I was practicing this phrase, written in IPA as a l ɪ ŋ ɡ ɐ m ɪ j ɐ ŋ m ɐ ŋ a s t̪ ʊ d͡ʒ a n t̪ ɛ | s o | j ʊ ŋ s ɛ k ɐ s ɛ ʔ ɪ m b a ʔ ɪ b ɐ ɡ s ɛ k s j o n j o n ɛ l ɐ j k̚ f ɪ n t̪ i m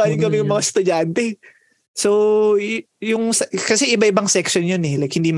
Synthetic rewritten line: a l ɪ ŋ k ɐ m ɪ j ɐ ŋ m ɐ ŋ a s t̪ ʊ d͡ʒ a n t̪ ɛ | s o | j ʊ ŋ s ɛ k ɐ s ɛ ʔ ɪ b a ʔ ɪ b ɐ ŋ s ɛ k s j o n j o n ɛ l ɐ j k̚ h ɪ n d̪ i m